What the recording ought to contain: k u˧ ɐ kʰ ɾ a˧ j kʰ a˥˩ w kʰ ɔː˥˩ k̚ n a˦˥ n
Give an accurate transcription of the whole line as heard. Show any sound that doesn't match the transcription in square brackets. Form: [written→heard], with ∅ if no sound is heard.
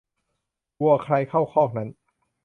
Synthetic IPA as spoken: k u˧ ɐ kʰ ɾ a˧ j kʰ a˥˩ w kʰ ɔː˥˩ k̚ n a˦˥ n